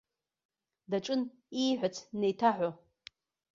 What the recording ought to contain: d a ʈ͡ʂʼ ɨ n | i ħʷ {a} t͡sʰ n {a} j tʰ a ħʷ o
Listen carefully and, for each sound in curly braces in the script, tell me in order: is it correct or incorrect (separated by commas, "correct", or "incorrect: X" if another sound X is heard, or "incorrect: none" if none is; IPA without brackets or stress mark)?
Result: correct, incorrect: e